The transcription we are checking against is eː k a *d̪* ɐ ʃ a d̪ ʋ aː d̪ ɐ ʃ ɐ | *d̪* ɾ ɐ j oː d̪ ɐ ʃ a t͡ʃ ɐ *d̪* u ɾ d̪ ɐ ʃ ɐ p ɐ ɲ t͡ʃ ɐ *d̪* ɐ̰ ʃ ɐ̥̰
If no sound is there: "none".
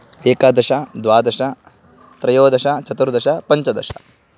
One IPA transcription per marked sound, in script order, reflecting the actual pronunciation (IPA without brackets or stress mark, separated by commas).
d̪, t̪, t̪, d̪